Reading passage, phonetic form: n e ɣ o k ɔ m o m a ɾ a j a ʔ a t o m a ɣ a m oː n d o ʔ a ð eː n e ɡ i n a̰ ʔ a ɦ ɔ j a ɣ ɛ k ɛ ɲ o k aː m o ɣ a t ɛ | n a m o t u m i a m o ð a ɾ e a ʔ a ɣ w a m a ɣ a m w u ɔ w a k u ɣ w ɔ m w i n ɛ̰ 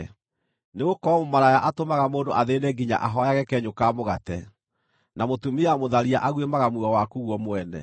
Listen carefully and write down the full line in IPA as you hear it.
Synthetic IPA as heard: n e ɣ o k ɔ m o m a ɾ a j a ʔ a t o m a ɣ a m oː n d o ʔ a ð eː n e ɡ i ɲ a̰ ʔ a ɦ ɔ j a ɣ ɛ k ɛ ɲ o k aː m o ɣ a t ɛ | n a m o t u m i a m o ð a ɾ i a ʔ a ɣ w e m a ɣ a m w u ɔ w a k u ɣ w ɔ m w ɛ n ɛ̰